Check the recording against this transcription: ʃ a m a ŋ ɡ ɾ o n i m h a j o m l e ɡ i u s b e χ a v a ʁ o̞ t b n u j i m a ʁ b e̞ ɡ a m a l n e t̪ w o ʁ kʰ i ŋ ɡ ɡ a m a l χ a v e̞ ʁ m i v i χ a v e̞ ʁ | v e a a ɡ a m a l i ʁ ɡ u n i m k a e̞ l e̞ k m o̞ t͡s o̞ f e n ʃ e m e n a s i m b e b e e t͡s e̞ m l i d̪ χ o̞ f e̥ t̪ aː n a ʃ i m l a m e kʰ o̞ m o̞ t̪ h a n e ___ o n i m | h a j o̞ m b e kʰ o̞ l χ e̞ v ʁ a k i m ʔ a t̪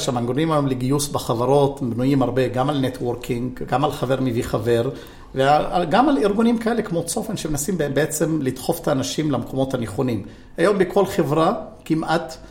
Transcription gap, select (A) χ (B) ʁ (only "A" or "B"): A